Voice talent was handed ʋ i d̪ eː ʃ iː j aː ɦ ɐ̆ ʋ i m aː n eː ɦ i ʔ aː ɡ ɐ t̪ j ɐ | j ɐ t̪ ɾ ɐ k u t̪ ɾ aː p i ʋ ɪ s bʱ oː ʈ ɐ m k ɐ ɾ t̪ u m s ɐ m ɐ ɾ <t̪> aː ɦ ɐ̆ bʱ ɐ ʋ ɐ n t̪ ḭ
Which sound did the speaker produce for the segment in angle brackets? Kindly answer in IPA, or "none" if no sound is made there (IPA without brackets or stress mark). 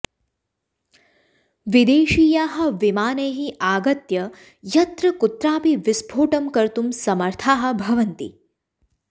t̪ʰ